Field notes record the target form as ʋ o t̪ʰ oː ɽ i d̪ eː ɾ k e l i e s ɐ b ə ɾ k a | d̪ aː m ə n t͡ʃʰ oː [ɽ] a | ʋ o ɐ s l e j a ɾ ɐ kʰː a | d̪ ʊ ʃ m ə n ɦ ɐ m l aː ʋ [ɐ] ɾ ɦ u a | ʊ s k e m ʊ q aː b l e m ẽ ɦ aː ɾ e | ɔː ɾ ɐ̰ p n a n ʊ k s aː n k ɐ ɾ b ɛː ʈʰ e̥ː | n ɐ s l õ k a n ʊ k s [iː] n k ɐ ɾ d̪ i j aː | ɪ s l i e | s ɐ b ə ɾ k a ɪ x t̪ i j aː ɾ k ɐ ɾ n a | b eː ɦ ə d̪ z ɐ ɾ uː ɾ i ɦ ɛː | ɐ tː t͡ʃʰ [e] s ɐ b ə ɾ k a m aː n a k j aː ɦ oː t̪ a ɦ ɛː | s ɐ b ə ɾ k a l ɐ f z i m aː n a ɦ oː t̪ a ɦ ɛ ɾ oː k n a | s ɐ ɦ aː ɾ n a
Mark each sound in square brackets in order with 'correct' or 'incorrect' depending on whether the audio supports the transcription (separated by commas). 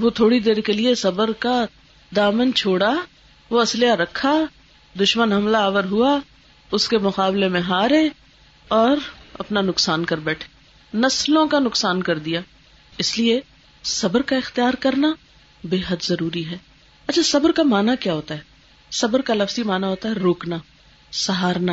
correct, incorrect, incorrect, incorrect